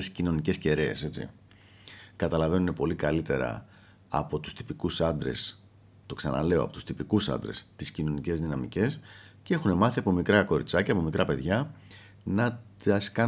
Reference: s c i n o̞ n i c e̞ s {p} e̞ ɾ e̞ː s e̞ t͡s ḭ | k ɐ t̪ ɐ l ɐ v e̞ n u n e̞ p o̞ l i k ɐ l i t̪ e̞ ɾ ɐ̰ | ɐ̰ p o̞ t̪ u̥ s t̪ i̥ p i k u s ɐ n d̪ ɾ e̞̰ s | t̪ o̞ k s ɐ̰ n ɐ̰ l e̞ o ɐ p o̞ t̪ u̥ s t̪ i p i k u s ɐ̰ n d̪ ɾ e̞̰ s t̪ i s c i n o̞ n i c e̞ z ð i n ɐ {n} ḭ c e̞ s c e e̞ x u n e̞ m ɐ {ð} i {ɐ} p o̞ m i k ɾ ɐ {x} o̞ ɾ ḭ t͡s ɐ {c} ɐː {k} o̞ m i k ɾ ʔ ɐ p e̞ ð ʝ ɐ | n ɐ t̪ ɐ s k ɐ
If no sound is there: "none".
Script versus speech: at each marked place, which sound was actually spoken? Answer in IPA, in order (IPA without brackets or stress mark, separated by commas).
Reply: c, m, θ, ɐ, k, c, p